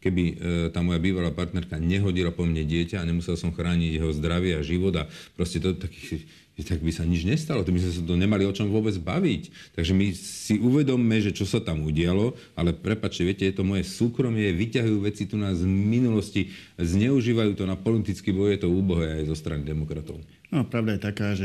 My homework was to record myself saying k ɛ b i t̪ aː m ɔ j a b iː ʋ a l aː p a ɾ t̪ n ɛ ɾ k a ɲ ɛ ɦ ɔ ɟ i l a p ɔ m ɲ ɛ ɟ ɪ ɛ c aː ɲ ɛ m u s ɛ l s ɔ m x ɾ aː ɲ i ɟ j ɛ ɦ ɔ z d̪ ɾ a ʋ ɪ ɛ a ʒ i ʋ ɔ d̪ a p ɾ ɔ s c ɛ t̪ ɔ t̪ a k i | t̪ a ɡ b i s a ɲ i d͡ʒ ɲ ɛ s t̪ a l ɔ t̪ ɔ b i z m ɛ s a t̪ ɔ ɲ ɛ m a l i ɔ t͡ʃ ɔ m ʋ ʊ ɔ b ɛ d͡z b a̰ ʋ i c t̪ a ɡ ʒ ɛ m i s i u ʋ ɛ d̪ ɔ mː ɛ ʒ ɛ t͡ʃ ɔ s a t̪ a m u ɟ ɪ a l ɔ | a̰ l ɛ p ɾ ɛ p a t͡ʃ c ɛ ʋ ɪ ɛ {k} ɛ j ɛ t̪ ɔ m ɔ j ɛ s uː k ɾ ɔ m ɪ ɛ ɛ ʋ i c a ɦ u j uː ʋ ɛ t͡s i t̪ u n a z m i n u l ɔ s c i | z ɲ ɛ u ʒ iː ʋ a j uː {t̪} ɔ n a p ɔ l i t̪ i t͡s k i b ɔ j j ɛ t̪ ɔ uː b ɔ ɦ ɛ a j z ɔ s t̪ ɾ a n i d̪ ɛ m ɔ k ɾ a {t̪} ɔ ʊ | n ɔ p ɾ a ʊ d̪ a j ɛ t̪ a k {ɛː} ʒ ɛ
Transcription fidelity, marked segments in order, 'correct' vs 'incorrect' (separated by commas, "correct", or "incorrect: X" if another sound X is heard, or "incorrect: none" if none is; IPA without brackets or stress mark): incorrect: c, correct, correct, incorrect: aː